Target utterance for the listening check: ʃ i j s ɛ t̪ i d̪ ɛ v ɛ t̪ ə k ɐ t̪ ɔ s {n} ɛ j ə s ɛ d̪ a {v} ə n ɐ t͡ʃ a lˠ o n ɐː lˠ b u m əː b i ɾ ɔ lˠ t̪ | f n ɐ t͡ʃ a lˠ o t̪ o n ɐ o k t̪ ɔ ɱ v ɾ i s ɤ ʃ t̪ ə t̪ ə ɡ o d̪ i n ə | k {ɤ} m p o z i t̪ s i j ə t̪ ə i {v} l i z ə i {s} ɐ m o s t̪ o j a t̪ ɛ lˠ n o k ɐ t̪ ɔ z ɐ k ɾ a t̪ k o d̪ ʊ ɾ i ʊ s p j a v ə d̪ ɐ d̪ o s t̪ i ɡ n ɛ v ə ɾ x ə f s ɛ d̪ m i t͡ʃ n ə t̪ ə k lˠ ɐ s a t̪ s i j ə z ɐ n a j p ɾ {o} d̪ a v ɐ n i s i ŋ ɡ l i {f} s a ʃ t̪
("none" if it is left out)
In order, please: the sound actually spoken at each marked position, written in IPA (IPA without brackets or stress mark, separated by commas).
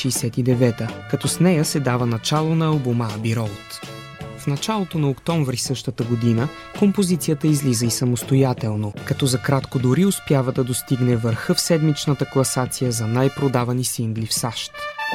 n, v, o, z, s, o, f